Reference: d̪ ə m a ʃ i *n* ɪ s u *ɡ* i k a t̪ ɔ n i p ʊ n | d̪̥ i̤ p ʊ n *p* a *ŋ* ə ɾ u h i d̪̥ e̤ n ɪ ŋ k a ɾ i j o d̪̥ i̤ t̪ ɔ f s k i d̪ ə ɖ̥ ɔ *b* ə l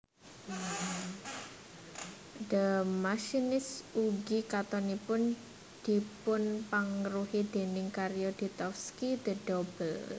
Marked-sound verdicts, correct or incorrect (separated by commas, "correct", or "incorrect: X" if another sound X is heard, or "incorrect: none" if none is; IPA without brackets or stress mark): correct, correct, correct, correct, correct